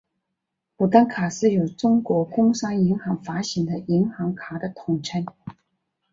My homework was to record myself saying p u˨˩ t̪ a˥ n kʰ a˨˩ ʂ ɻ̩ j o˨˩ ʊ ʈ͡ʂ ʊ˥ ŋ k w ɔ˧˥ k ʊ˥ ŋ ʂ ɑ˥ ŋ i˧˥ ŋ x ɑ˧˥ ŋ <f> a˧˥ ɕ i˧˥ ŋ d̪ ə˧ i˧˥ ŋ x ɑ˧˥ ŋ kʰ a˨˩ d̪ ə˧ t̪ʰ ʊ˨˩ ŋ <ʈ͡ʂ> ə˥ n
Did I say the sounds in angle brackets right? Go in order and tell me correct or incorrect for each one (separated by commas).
correct, incorrect